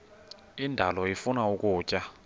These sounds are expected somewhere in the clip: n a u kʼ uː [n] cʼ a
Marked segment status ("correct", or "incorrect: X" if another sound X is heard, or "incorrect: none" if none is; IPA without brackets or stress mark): incorrect: none